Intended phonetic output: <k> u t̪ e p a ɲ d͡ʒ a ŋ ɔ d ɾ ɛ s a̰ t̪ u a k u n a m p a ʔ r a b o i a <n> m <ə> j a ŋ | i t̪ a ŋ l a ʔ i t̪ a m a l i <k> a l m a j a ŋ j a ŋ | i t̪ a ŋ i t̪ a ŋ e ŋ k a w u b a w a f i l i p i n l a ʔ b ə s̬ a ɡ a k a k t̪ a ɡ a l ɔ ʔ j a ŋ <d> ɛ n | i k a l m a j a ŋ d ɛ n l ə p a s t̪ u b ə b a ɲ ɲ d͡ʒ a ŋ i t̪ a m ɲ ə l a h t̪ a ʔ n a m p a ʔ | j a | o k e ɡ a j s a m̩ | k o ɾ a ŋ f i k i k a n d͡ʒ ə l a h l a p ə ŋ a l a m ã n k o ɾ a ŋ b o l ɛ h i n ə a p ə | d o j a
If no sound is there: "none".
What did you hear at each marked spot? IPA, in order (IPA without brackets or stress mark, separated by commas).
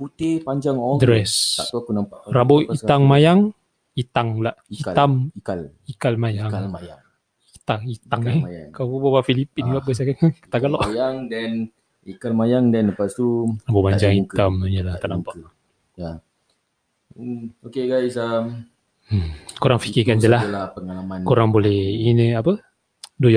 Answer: p, ŋ, a, k, d